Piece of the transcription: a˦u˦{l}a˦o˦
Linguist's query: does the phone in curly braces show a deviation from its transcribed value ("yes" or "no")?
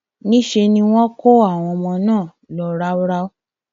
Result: yes